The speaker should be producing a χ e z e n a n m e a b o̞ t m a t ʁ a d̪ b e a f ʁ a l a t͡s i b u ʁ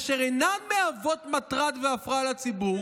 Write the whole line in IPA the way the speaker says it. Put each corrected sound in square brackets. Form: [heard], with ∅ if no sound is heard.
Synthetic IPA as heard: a [ʃ] e [ʁ] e n a n m e a [v] o̞ t m a t ʁ a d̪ [v] e a f ʁ a l a t͡s i b u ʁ